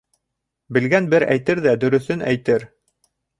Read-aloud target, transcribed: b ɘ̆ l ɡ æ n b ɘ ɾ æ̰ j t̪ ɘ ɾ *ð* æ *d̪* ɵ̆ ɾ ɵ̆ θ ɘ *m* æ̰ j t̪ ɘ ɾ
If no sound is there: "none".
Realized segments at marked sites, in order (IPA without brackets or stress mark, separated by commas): ð, d̪, n